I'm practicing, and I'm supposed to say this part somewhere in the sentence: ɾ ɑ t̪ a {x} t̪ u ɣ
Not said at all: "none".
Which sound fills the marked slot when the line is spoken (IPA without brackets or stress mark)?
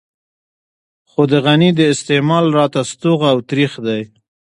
s